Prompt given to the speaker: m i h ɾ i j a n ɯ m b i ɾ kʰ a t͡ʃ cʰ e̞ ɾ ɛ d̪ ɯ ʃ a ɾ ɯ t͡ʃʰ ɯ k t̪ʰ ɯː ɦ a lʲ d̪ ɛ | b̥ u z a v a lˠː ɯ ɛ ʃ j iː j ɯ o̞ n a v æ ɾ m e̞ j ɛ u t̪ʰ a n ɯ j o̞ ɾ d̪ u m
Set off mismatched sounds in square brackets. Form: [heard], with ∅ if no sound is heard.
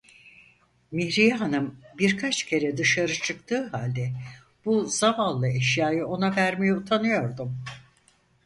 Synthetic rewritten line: m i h ɾ i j a n ɯ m b i ɾ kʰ a t͡ʃ cʰ e̞ ɾ ɛ d̪ ɯ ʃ a ɾ ɯ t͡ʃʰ ɯ k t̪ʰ ɯː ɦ a lʲ d̪ ɛ | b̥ u z a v a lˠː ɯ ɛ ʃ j [aː] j ɯ o̞ n a v æ ɾ m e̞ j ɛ u t̪ʰ a n ɯ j o̞ ɾ d̪ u m

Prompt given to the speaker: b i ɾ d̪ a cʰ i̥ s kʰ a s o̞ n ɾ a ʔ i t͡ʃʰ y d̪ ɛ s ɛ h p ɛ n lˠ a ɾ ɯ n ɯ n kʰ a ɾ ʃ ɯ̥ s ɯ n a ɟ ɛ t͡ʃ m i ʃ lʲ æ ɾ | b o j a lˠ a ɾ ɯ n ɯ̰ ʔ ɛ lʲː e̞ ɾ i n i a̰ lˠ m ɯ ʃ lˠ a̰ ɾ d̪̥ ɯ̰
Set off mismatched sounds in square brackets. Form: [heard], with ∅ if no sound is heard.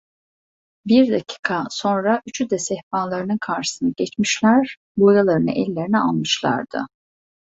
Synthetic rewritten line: b i ɾ d̪ a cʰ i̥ [∅] kʰ a s o̞ n ɾ a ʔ [y] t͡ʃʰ y d̪ ɛ s ɛ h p [a] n lˠ a ɾ ɯ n ɯ n kʰ a ɾ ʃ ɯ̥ s ɯ n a ɟ ɛ t͡ʃ m i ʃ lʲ æ ɾ | b o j a lˠ a ɾ ɯ n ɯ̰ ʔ ɛ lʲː e̞ ɾ i n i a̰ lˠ m ɯ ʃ lˠ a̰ ɾ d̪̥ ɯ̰

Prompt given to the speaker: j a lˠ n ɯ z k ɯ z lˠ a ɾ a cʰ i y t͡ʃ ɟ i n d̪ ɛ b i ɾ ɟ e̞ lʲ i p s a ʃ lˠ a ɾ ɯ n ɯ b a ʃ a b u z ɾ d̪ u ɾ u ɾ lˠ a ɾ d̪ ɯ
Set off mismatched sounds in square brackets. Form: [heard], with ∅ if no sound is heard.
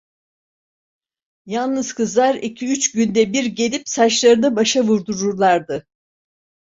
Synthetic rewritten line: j a lˠ n ɯ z k ɯ z lˠ a ɾ [i] cʰ i y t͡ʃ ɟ [y] n d̪ ɛ b i ɾ ɟ e̞ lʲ i p s a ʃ lˠ a ɾ ɯ n ɯ b a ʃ a [v] u [∅] ɾ d̪ u ɾ u ɾ lˠ a ɾ d̪ ɯ

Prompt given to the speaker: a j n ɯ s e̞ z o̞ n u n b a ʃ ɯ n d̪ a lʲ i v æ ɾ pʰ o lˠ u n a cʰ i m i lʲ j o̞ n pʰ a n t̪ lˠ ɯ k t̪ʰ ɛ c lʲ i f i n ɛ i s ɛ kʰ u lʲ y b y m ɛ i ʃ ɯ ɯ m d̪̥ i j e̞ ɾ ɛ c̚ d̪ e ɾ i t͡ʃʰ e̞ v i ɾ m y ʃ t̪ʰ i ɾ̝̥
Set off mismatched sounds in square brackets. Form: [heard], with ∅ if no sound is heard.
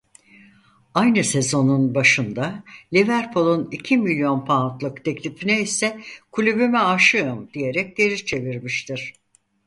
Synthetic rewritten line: a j n ɯ s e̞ z o̞ n u n b a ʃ ɯ n d̪ a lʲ i v æ ɾ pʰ o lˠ u n [i] cʰ i m i lʲ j o̞ n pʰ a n t̪ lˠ ɯ k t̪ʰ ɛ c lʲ i f i n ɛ i s ɛ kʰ u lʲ y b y m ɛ [a] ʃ ɯ ɯ m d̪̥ i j e̞ ɾ ɛ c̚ d̪ e ɾ i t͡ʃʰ e̞ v i ɾ m [i] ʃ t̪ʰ i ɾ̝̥

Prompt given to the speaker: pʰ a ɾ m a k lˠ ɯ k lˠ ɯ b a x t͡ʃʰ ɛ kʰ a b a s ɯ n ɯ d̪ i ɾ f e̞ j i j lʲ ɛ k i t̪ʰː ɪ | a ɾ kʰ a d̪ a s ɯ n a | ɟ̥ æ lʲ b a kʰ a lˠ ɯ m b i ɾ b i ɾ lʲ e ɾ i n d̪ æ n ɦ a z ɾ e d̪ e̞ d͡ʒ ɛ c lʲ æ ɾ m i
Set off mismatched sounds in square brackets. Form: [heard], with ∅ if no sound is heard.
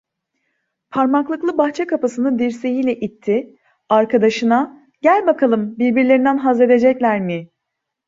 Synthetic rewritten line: pʰ a ɾ m a k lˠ ɯ k lˠ ɯ b a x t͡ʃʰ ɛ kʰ a [p] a s ɯ n ɯ d̪ i ɾ [s] e̞ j i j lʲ ɛ [ʔ] i t̪ʰː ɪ | a ɾ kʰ a d̪ a [ʃ] ɯ n a | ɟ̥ æ lʲ b a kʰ a lˠ ɯ m b i ɾ b i ɾ lʲ e ɾ i n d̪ æ n ɦ a z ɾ e d̪ e̞ d͡ʒ ɛ c lʲ æ ɾ m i

